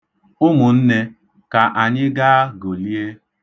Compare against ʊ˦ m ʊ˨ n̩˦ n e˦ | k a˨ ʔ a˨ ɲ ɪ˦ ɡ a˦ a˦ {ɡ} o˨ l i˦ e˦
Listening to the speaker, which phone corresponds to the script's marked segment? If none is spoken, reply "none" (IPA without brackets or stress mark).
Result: ɡ